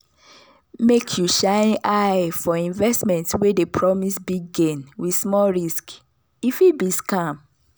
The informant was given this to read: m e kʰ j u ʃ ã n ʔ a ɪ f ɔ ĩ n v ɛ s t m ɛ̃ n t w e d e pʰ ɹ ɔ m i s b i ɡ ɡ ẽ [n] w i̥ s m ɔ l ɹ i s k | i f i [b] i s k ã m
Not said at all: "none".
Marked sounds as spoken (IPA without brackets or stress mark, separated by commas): n, b